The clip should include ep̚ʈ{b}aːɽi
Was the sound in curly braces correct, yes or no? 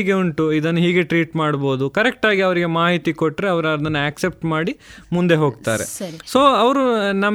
no